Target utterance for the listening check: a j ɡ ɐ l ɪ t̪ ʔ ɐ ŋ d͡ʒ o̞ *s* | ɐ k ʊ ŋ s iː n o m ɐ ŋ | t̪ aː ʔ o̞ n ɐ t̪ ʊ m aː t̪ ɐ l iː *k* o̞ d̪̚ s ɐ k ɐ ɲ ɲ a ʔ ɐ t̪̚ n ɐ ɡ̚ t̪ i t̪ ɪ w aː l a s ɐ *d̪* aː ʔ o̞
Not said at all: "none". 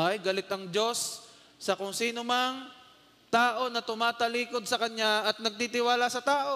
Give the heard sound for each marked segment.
sː, k, t̪

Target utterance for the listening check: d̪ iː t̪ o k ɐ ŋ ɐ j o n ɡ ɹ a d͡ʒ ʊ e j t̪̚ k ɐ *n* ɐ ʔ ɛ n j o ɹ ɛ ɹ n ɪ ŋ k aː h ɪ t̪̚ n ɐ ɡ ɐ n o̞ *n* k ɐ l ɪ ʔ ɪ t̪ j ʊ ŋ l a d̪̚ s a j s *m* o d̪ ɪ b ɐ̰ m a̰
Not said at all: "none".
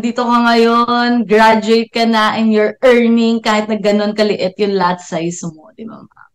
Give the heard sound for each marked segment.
n, n, m

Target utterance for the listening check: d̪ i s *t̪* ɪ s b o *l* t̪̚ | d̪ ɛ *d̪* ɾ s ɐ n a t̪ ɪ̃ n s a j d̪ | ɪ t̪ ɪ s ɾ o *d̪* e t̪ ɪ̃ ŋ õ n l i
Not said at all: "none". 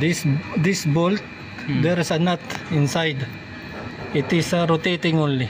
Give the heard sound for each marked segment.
d̪, l, none, t̪

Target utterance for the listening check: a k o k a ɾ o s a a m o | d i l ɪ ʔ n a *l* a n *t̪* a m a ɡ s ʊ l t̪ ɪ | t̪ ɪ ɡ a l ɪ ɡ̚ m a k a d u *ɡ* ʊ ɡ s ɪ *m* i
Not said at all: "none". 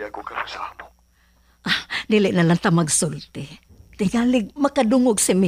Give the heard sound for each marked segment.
l, t̪, ŋ, m

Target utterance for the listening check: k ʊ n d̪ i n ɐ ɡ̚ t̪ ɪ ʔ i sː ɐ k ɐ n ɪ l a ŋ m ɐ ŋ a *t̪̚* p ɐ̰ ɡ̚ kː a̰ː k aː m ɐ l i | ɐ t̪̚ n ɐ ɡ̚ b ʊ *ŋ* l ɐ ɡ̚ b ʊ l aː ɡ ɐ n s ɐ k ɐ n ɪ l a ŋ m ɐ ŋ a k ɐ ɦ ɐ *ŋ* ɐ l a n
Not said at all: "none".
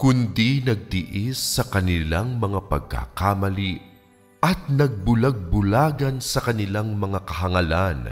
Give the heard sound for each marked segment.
none, none, ŋ

